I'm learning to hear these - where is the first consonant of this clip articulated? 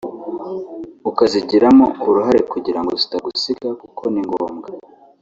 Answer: velum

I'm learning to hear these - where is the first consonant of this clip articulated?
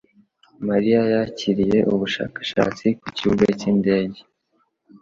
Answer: lips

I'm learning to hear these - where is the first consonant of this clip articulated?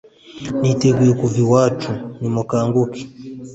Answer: tongue tip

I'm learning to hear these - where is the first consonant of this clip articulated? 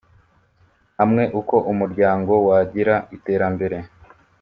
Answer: throat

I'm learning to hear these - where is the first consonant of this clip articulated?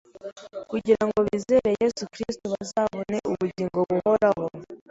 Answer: velum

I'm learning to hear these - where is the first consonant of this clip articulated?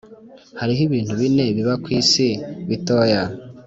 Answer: throat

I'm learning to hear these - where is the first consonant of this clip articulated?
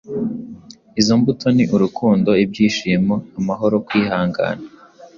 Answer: tongue tip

